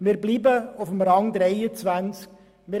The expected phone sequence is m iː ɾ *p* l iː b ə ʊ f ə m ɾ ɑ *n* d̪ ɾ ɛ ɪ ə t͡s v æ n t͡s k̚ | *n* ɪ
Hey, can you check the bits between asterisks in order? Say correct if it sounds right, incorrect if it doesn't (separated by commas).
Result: incorrect, incorrect, incorrect